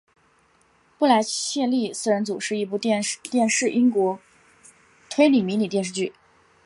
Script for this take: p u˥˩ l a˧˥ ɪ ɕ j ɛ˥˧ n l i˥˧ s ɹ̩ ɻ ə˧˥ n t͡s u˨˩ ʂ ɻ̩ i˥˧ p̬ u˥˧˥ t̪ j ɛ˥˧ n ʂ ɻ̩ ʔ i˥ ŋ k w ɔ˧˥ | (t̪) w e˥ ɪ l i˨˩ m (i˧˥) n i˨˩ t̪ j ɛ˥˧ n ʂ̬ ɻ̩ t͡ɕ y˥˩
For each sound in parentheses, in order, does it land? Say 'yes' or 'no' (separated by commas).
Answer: no, yes